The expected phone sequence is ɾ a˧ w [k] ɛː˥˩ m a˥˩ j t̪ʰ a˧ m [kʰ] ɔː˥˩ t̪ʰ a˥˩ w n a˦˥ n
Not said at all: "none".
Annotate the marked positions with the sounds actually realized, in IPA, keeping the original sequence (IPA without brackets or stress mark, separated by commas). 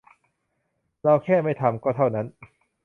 kʰ, k